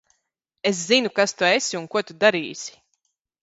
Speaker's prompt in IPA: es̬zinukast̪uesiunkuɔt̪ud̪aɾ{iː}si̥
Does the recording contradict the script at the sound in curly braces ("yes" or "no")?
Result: no